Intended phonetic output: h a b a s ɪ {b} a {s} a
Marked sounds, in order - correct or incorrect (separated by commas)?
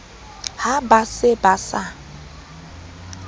correct, correct